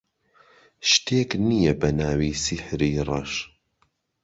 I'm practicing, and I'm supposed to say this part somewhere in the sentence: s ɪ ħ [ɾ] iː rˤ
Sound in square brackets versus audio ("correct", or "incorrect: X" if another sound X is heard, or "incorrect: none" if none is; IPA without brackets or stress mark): correct